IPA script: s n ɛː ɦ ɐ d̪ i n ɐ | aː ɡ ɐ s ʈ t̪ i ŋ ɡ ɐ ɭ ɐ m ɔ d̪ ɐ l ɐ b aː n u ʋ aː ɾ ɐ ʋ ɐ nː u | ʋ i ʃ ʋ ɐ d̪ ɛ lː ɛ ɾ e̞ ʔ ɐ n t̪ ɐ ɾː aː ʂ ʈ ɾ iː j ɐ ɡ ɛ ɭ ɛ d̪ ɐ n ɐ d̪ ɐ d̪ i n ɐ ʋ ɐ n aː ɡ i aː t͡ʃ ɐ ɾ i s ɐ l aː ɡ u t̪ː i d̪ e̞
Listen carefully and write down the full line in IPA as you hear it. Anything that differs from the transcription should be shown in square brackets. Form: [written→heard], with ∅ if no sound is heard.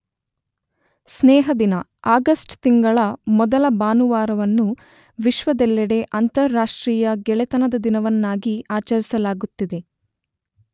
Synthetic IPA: s n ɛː ɦ ɐ d̪ i n ɐ | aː ɡ ɐ s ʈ t̪ i ŋ ɡ ɐ ɭ ɐ m ɔ d̪ ɐ l ɐ b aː n u ʋ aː ɾ ɐ ʋ ɐ nː u | ʋ i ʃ ʋ ɐ d̪ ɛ lː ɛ [ɾ→ɽ] e̞ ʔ ɐ n t̪ ɐ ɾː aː ʂ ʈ ɾ iː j ɐ ɡ ɛ ɭ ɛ [d̪→t̪] ɐ n ɐ d̪ ɐ d̪ i n ɐ ʋ ɐ [n→nː] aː ɡ i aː t͡ʃ ɐ ɾ i s ɐ l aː ɡ u t̪ː i d̪ e̞

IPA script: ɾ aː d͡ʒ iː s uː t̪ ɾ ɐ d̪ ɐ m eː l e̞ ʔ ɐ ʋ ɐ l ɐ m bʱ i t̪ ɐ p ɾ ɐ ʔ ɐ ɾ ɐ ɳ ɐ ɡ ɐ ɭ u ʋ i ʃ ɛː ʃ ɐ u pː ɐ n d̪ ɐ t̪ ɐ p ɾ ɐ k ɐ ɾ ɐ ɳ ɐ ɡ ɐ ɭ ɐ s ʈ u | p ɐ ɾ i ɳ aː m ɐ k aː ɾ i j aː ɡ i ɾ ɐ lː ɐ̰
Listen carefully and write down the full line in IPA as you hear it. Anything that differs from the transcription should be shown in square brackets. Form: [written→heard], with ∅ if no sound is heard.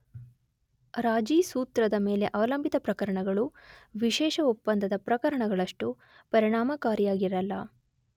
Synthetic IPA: ɾ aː d͡ʒ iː s uː t̪ ɾ ɐ d̪ ɐ m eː l e̞ ʔ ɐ ʋ ɐ l ɐ m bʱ i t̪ ɐ p ɾ ɐ [ʔ→k] ɐ ɾ ɐ ɳ ɐ ɡ ɐ ɭ u ʋ i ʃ ɛː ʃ ɐ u pː ɐ n d̪ ɐ [t̪→d̪] ɐ p ɾ ɐ k ɐ ɾ ɐ ɳ ɐ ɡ ɐ ɭ ɐ [s→ʂ] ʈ u | p ɐ ɾ i ɳ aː m ɐ k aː ɾ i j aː ɡ i ɾ ɐ lː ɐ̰

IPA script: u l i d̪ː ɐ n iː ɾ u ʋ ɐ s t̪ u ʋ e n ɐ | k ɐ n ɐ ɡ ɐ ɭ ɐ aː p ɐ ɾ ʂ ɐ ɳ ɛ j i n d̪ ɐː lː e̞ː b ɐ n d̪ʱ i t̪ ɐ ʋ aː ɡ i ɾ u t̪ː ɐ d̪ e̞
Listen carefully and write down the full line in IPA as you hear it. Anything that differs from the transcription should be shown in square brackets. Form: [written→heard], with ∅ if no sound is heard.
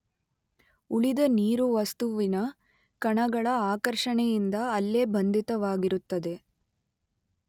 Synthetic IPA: u [l→ɭ] i [d̪ː→d̪] ɐ n iː ɾ u ʋ ɐ s t̪ u ʋ [e→i] n ɐ | k ɐ [n→ɳ] ɐ ɡ ɐ ɭ ɐ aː [p→k] ɐ ɾ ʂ ɐ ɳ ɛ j i n d̪ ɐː lː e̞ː b ɐ n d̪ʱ i t̪ ɐ ʋ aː ɡ i ɾ u t̪ː ɐ d̪ e̞

